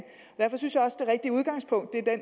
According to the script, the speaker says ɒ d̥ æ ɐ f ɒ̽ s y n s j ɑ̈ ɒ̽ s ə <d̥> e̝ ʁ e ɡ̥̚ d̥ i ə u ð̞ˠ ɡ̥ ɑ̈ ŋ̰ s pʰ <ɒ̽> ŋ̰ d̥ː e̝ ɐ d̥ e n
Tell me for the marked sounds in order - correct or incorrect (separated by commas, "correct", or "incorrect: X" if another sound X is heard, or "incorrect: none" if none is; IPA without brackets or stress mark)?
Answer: correct, incorrect: ɔ̽